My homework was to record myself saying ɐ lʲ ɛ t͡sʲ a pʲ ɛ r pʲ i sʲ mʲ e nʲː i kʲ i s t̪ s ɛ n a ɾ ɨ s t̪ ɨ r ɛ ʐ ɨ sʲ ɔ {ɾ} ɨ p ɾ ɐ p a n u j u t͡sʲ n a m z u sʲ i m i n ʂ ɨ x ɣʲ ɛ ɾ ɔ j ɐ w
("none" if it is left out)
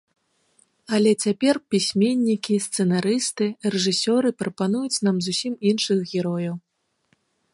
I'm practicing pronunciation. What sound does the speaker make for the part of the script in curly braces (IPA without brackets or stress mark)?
ɾ